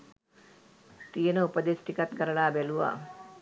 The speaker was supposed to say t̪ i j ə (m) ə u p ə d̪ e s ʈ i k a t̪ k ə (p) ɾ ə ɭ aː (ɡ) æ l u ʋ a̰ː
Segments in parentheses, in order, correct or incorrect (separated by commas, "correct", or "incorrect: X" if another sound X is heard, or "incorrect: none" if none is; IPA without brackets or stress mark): incorrect: n, incorrect: none, incorrect: b